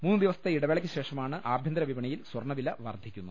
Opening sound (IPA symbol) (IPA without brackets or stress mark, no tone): m